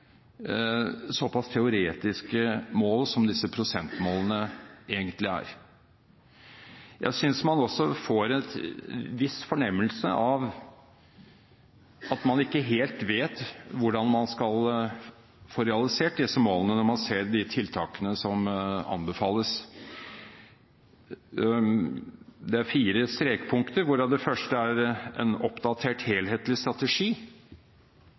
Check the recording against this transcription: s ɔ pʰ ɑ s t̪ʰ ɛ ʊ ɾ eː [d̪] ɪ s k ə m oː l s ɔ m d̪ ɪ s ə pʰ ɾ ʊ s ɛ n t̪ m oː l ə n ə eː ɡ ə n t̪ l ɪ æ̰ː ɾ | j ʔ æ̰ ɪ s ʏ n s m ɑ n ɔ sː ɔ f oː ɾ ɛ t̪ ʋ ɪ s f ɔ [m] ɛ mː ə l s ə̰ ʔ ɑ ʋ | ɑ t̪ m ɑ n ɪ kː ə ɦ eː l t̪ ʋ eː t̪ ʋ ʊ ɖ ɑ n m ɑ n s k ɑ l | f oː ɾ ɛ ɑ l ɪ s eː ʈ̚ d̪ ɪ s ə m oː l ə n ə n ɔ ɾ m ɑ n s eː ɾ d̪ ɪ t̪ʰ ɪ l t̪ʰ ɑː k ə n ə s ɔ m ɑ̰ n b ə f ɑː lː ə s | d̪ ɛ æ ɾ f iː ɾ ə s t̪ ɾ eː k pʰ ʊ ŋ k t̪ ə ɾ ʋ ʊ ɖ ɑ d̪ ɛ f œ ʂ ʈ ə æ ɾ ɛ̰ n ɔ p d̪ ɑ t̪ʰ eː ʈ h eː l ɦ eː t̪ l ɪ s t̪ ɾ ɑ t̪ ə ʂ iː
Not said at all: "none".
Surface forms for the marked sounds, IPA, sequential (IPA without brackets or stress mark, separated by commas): t̪, ɳ